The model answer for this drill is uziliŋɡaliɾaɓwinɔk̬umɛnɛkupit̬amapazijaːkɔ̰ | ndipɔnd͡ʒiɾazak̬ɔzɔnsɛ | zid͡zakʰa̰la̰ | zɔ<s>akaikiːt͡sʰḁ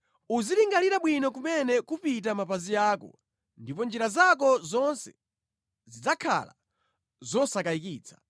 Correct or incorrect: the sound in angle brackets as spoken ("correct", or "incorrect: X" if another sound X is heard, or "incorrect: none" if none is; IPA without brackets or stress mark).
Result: correct